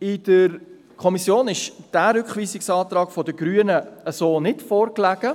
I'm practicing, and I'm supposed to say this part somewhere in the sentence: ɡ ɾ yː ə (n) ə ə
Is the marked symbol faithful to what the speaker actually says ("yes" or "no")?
yes